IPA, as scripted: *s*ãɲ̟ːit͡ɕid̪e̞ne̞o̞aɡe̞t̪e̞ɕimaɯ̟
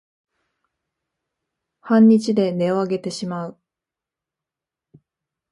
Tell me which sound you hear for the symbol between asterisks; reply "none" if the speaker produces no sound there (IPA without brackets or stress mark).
h